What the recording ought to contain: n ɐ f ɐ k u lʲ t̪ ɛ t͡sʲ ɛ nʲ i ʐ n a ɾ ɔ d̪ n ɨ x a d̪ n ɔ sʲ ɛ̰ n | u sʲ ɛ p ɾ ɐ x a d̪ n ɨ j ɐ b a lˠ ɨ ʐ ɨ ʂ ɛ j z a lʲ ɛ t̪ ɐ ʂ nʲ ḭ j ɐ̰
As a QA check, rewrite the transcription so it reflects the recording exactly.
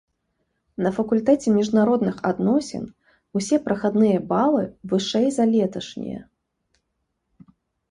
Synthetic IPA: n ɐ f ɐ k u lʲ t̪ ɛ t͡sʲ ɛ mʲ i ʐ n a ɾ ɔ d̪ n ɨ x a d̪ n ɔ sʲ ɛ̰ n | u sʲ ɛ p ɾ ɐ x a d̪ n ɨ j ɐ b a lˠ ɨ v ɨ ʂ ɛ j z a lʲ ɛ t̪ ɐ ʂ nʲ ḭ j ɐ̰